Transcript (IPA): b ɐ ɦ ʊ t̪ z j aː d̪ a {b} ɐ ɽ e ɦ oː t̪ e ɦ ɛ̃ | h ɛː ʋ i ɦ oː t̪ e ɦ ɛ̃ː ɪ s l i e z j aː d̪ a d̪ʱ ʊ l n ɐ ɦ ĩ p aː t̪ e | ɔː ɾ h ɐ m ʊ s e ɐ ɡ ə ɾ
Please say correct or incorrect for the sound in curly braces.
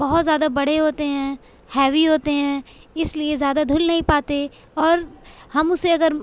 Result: correct